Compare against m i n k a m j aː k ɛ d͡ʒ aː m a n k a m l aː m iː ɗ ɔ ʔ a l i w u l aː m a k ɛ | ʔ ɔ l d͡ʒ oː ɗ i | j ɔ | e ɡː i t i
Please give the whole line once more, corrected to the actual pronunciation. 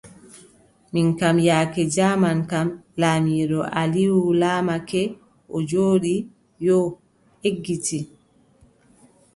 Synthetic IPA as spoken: m i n k a m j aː k ɛ d͡ʒ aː m a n k a m l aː m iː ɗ ɔ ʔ a l i w u l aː m a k ɛ | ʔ ɔ d͡ʒ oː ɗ i | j ɔ | e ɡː i t i